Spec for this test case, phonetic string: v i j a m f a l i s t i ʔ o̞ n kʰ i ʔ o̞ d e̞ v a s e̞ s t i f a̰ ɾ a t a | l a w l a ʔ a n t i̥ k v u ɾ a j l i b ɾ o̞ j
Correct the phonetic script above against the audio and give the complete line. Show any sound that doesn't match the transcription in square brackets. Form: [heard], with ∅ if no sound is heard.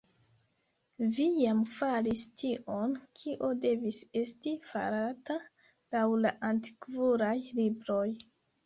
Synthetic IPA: v i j a m f a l i s t i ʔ o̞ n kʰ i ʔ o̞ d e̞ v [i] s e̞ s t i f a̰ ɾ a t a | l a w l a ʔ a n t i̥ k v u ɾ a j l i b ɾ o̞ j

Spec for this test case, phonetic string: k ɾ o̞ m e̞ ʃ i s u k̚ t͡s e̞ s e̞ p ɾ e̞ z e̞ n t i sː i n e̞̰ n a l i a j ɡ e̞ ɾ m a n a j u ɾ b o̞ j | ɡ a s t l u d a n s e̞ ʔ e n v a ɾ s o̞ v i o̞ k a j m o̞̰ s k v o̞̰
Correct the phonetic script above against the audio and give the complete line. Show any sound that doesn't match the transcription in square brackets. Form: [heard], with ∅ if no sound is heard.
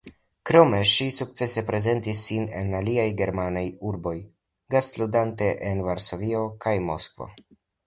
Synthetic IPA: k ɾ o̞ m e̞ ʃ i s u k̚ t͡s e̞ s e̞ p ɾ e̞ z e̞ n t i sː i n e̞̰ n a l i a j ɡ e̞ ɾ m a n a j u ɾ b o̞ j | ɡ a s t l u d a n [t] e̞ ʔ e n v a ɾ s o̞ v i o̞ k a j m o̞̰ s k v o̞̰

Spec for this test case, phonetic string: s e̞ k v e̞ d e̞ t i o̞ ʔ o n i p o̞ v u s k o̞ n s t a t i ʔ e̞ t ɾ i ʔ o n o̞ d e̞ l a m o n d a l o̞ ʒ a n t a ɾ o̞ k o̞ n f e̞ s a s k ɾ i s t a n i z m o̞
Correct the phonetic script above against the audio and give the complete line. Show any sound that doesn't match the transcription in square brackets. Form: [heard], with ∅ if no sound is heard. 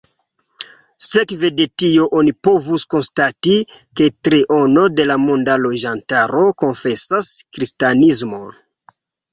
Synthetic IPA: s e̞ k v e̞ d e̞ t i o̞ ʔ o n i p o̞ v u s k o̞ n s t a t i [k] e̞ t ɾ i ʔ o n o̞ d e̞ l a m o n d a l o̞ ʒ a n t a ɾ o̞ k o̞ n f e̞ s a s k ɾ i s t a n i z m o̞

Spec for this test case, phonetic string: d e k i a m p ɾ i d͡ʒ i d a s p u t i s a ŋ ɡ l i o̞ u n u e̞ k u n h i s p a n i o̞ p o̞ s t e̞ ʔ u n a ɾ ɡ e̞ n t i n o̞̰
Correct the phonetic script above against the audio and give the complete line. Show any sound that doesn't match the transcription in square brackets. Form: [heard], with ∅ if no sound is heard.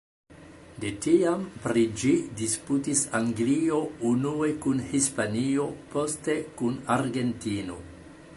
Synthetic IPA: d e [t] i a m p ɾ i d͡ʒ i d [i] s p u t i s a ŋ ɡ l i o̞ u n u e̞ k u n h i s p a n i o̞ p o̞ s t e̞ [k] u n a ɾ ɡ e̞ n t i n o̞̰

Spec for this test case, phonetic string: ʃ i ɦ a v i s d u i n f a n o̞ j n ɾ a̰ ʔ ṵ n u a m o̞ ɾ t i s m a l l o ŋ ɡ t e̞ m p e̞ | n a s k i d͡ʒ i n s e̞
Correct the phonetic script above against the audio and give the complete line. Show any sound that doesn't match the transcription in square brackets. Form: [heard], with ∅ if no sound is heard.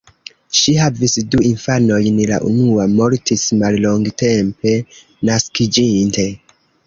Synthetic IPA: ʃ i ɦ a v i s d u i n f a n o̞ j n [l] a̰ ʔ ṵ n u a m o̞ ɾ t i s m a l l o ŋ ɡ t e̞ m p e̞ | n a s k i d͡ʒ i n [t] e̞

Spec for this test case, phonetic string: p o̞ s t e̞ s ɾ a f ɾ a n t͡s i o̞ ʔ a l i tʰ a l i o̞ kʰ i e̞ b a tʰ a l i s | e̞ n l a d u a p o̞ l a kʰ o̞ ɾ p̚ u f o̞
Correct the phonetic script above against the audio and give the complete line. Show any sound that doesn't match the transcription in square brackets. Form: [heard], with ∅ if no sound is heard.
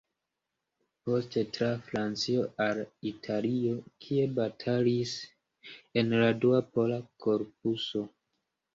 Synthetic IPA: p o̞ s t e̞ [t] ɾ a f ɾ a n t͡s i o̞ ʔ a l i tʰ a l i o̞ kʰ i e̞ b a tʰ a l i s | e̞ n l a d u a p o̞ l a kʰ o̞ ɾ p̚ u [s] o̞

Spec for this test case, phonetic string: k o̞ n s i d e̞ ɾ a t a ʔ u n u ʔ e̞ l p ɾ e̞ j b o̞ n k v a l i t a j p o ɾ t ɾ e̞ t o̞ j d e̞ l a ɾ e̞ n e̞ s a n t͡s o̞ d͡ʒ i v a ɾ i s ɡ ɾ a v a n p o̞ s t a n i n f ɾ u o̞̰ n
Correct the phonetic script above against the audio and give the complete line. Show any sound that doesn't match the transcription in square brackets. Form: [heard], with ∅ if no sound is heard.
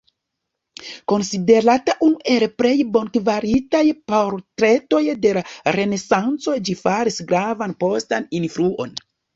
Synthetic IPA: k o̞ n s i d e̞ ɾ a t a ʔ u n u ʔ e̞ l p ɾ e̞ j b o̞ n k v a [ɾ] i t a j p o ɾ t ɾ e̞ t o̞ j d e̞ l a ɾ e̞ n e̞ s a n t͡s o̞ d͡ʒ i [f] a ɾ i s ɡ ɾ a v a n p o̞ s t a n i n f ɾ u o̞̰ n

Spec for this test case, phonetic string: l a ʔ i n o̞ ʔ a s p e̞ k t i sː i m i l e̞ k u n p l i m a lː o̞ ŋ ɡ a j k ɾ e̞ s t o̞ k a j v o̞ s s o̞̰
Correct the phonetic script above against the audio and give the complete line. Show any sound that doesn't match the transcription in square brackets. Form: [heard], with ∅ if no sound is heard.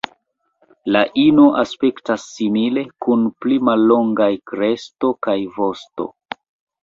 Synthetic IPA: l a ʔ i n o̞ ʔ a s p e̞ k t [a] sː i m i l e̞ k u n p l i m a lː o̞ ŋ ɡ a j k ɾ e̞ s t o̞ k a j v o̞ s [t] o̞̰

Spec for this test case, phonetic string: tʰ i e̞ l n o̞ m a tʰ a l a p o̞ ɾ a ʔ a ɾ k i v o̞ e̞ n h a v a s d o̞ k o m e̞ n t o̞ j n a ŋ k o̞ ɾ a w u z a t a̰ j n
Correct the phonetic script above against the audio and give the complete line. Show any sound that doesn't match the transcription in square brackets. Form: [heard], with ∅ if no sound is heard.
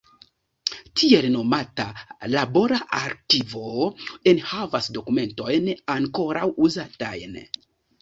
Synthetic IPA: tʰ i e̞ l n o̞ m a [t] a l a [b] o̞ ɾ a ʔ a ɾ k i v o̞ e̞ n h a v a s d o̞ k [u] m e̞ n t o̞ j n a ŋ k o̞ ɾ a w u z a t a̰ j n

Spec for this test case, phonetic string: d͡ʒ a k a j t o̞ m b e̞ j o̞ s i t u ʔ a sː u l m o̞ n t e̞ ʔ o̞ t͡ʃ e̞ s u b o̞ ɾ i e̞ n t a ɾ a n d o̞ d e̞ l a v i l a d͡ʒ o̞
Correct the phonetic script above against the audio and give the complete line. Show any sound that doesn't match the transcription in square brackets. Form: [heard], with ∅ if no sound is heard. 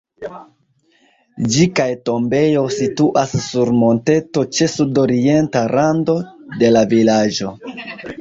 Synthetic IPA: d͡ʒ [i] k a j t o̞ m b e̞ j o̞ s i t u ʔ a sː u [ɾ] m o̞ n t e̞ [t] o̞ t͡ʃ e̞ s u [d] o̞ ɾ i e̞ n t a ɾ a n d o̞ d e̞ l a v i l a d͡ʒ o̞

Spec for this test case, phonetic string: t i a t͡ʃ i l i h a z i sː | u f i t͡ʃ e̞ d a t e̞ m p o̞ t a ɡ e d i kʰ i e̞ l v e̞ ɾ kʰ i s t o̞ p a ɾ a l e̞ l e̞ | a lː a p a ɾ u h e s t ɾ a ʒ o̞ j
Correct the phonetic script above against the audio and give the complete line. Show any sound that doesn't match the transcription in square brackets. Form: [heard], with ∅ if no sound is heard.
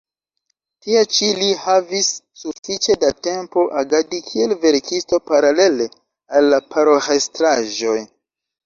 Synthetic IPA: t i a t͡ʃ i l i h a [v] i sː | u f i t͡ʃ e̞ d a t e̞ m p o̞ [ʔ] a ɡ [a] d i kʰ i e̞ l v e̞ ɾ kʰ i s t o̞ p a ɾ a l e̞ l e̞ | a lː a p a ɾ [o] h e s t ɾ a ʒ o̞ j

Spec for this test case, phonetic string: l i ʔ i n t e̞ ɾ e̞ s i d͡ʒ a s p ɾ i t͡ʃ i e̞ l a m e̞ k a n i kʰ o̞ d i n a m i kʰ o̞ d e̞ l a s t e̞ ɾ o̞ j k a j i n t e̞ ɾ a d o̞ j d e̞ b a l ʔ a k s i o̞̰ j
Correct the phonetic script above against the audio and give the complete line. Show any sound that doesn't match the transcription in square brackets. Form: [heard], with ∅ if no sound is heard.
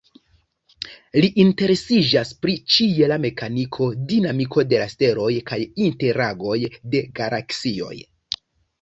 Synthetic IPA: l i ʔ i n t e̞ ɾ e̞ s i d͡ʒ a s p ɾ i t͡ʃ i e̞ l a m e̞ k a n i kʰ o̞ d i n a m i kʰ o̞ d e̞ l a s t e̞ ɾ o̞ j k a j i n t e̞ ɾ a [ɡ] o̞ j d e̞ [ɡ] a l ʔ a k s i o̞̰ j

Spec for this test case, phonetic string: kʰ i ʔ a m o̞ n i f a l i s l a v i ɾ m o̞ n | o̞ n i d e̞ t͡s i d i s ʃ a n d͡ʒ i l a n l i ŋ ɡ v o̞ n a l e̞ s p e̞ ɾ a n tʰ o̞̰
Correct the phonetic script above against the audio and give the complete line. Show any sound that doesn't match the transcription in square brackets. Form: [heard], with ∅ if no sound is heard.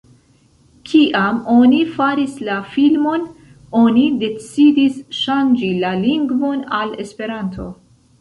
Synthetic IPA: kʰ i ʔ a m o̞ n i f a [ɾ] i s l a [f] i [l] m o̞ n | o̞ n i d e̞ t͡s i d i s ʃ a n d͡ʒ i l a [∅] l i ŋ ɡ v o̞ n a l e̞ s p e̞ ɾ a n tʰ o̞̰

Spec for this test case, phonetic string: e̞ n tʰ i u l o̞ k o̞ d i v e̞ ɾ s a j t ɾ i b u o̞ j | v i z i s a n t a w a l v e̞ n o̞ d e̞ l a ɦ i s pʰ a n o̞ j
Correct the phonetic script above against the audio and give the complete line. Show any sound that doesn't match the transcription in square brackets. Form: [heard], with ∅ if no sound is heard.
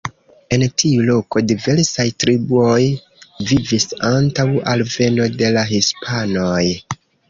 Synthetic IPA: e̞ n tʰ i u l o̞ k o̞ d i v e̞ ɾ s a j t ɾ i b u o̞ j | v i [v] i s a n t a w a l v e̞ n o̞ d e̞ l a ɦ i s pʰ a n o̞ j

